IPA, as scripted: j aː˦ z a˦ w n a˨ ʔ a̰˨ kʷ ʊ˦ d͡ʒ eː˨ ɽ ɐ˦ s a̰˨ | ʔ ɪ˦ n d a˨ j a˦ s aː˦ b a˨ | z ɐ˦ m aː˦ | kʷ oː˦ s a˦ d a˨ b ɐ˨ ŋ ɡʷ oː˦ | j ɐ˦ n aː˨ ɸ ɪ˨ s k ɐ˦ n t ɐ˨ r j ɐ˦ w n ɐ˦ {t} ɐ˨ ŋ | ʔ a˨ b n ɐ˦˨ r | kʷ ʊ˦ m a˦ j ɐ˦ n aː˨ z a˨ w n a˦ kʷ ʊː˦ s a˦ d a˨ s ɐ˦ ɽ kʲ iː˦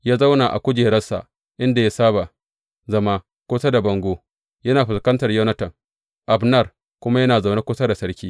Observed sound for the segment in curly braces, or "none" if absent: t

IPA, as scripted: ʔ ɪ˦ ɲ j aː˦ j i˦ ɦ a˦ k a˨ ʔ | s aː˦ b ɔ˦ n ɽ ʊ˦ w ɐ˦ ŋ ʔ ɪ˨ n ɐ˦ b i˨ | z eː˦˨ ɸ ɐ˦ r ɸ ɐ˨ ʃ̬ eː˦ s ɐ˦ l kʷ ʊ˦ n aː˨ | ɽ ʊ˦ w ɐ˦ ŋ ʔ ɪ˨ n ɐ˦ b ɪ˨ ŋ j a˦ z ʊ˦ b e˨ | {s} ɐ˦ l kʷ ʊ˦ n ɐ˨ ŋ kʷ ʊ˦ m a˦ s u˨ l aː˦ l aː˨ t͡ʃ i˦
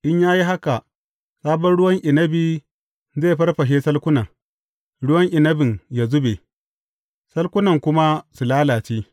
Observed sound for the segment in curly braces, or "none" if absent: s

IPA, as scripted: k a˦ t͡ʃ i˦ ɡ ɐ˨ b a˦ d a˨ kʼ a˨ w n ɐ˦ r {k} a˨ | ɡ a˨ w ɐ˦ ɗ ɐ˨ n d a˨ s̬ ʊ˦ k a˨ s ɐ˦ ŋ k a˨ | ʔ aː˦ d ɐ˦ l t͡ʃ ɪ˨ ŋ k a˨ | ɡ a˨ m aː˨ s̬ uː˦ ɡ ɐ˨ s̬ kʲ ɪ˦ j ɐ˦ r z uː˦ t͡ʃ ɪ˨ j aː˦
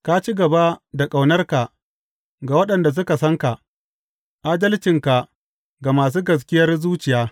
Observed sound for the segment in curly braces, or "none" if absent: k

